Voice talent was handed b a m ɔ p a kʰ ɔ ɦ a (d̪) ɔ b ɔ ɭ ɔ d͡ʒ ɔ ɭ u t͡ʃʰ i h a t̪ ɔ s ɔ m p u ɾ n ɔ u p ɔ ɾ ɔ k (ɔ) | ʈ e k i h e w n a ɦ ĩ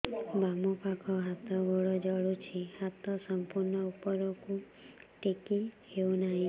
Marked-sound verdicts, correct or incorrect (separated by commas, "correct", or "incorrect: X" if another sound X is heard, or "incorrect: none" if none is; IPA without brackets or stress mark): incorrect: t̪, incorrect: u